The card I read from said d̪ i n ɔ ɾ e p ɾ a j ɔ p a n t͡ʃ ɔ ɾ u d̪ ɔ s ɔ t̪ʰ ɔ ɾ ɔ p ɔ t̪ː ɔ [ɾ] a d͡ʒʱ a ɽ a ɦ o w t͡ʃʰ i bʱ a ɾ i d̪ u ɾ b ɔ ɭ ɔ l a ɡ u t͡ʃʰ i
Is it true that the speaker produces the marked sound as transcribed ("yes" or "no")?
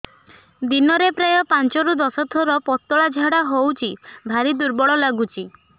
no